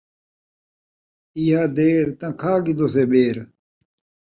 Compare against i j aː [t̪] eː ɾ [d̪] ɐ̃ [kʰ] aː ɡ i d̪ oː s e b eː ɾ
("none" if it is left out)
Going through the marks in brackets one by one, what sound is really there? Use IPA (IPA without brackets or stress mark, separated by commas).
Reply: d̪, t̪, kʰ